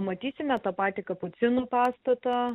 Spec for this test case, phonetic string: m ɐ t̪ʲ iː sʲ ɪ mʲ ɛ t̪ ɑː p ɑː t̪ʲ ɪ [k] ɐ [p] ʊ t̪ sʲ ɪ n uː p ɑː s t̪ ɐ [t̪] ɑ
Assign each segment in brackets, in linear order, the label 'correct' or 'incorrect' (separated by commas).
correct, correct, correct